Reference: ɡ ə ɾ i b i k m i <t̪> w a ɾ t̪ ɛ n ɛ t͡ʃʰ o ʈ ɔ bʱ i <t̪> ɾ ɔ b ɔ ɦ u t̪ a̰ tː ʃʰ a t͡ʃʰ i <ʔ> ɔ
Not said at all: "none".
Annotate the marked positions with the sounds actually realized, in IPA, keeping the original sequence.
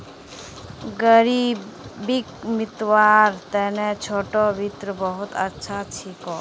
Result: t̪, t̪, k

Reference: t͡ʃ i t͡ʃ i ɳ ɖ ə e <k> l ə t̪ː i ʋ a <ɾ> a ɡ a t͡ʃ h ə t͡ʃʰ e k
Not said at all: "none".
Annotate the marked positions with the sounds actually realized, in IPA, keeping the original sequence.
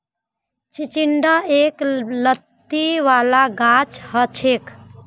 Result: k, l

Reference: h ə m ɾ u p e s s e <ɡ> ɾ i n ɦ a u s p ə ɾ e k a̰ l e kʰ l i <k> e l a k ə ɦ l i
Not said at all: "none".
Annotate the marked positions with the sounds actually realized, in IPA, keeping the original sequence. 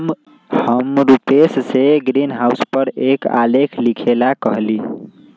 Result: ɡ, kʰ

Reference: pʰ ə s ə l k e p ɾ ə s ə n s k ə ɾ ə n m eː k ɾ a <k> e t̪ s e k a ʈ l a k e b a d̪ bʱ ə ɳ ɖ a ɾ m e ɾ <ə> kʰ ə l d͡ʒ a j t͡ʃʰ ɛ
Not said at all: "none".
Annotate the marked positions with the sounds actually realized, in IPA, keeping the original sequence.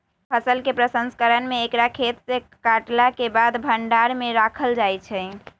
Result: kʰ, a

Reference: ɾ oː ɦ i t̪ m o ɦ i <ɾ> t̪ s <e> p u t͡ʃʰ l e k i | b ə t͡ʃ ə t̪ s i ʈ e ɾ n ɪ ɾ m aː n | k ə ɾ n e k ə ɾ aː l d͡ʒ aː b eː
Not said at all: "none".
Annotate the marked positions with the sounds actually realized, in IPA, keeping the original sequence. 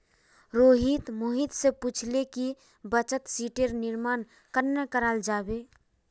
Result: none, e

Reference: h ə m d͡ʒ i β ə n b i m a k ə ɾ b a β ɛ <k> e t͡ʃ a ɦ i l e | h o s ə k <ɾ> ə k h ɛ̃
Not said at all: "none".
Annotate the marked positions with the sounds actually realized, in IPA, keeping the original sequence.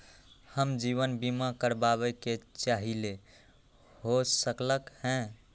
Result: k, l

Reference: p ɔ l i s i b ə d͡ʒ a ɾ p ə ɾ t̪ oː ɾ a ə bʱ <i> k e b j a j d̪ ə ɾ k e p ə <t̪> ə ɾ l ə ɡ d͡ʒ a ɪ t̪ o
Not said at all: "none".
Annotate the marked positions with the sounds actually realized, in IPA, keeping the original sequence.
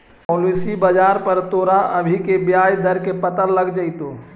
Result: i, t̪

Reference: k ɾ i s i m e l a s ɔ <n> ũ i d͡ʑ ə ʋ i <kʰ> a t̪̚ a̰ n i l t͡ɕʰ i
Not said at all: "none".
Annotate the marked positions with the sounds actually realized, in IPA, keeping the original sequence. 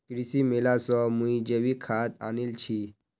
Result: m, kʰ

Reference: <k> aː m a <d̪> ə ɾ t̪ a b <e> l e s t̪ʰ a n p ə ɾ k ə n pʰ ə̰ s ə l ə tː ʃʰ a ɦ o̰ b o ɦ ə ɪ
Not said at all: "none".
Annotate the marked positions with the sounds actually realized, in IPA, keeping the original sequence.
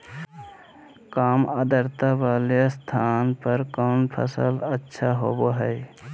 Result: k, d̪, a

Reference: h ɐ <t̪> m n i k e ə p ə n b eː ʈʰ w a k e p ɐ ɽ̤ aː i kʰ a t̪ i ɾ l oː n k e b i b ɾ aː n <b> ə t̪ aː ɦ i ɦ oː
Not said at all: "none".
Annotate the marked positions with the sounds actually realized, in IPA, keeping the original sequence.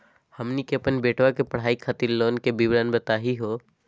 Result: none, b

